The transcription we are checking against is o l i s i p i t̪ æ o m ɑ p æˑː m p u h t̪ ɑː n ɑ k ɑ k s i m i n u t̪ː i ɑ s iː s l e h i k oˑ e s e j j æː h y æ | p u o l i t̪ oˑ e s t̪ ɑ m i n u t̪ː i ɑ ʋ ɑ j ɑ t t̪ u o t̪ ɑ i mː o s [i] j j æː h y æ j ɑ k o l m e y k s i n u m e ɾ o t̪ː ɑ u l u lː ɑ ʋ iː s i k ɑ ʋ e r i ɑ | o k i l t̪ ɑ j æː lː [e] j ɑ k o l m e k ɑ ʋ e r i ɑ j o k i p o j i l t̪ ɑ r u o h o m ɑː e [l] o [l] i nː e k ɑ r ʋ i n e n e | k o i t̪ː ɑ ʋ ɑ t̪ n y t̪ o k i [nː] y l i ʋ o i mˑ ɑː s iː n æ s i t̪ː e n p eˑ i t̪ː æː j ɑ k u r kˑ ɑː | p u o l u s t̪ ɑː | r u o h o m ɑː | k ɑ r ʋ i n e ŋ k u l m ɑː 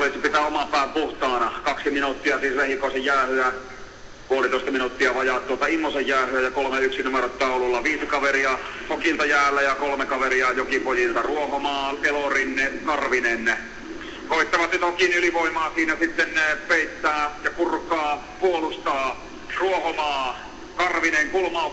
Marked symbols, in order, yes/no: no, no, yes, no, no

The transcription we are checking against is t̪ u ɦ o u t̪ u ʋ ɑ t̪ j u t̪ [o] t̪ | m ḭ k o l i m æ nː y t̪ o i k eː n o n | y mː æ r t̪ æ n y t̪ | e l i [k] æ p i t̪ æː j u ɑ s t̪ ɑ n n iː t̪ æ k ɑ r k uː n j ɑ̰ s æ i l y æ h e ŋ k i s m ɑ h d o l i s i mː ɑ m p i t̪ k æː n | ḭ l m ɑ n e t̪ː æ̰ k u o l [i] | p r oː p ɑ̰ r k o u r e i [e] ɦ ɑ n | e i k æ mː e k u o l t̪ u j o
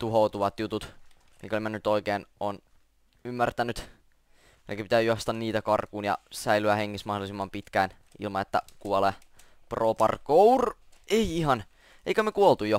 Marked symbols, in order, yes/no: no, yes, no, no

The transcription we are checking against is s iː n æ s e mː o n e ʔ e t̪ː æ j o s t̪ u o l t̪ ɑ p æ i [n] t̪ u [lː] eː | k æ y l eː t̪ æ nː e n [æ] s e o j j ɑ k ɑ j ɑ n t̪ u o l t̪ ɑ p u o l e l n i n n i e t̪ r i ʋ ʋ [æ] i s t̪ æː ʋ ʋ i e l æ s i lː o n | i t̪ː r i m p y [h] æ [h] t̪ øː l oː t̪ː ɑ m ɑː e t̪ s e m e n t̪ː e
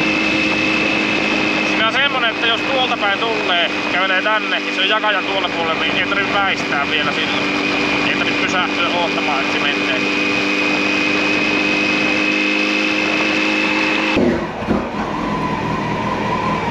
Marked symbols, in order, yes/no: yes, yes, no, yes, no, yes

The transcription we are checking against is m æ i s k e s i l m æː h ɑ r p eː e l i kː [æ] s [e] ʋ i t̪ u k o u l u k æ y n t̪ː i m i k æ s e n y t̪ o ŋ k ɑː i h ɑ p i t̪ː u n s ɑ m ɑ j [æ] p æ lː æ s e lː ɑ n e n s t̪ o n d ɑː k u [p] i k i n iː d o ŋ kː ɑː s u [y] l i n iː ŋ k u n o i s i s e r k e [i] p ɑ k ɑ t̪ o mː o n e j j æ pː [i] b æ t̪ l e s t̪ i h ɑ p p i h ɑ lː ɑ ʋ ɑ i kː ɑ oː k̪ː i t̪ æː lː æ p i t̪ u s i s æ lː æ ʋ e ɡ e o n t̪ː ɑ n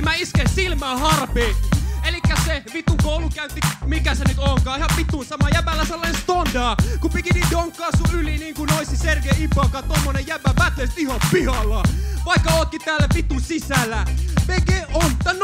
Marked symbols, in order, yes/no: yes, yes, yes, yes, yes, yes, no

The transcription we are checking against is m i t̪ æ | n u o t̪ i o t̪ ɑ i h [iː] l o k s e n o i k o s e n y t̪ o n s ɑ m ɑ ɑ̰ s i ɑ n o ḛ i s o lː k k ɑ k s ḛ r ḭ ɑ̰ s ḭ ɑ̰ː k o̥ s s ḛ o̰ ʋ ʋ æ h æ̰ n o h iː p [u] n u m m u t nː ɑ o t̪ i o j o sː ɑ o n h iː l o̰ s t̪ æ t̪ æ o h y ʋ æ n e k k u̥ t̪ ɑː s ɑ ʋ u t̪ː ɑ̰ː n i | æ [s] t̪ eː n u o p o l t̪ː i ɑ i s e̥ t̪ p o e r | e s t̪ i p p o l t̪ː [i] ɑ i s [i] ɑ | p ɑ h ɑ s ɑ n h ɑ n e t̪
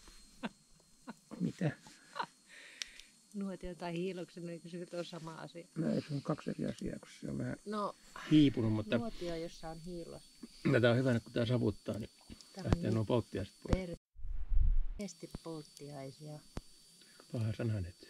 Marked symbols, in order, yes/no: yes, yes, no, yes, yes

